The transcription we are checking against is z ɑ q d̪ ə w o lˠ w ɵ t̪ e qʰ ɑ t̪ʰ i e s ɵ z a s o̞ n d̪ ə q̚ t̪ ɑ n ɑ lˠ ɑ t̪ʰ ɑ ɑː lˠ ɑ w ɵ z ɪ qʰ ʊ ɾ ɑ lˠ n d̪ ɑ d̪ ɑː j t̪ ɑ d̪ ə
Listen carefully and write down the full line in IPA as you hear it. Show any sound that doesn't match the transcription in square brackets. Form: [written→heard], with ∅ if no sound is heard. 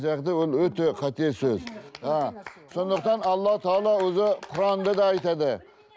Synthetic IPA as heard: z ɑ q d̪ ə w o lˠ w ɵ t̪ e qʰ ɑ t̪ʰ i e s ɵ z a s o̞ n d̪ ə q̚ t̪ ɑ n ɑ [lˠ→lˠː] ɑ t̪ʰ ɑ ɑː lˠ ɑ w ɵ z ɪ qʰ ʊ ɾ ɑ [lˠ→∅] n d̪ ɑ d̪ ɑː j t̪ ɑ d̪ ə